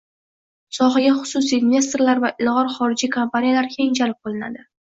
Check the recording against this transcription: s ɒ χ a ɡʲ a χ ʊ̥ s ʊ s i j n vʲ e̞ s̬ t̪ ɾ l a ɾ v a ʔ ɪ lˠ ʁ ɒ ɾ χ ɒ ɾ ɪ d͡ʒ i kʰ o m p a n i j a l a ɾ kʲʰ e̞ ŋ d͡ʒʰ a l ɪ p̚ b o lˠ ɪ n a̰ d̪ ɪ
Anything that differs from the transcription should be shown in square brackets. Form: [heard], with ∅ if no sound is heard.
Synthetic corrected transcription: s ɒ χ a ɡʲ a χ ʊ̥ s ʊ s i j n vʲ e̞ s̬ t̪ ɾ l a ɾ v a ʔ ɪ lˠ ʁ ɒ ɾ χ ɒ ɾ ɪ d͡ʒ i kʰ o m p a n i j a l a ɾ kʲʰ e̞ ŋ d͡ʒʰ a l ɪ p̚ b o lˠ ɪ n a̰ d̪ ɪ